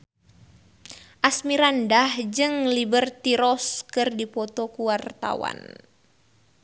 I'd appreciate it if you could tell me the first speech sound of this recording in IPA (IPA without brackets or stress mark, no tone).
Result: ʔ